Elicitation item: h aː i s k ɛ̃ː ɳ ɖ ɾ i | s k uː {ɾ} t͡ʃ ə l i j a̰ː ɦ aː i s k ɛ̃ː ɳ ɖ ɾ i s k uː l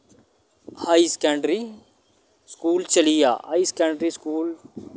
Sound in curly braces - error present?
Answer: yes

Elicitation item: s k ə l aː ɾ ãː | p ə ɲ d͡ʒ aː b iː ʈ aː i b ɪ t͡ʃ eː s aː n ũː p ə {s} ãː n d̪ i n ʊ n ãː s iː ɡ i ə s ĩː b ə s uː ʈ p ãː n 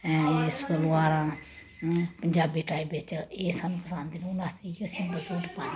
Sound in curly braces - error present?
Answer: no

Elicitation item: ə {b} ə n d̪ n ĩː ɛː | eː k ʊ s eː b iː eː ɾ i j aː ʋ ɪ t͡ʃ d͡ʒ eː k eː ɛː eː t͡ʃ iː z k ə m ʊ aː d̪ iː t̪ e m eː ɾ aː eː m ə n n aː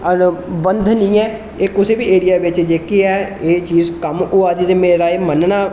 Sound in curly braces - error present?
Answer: no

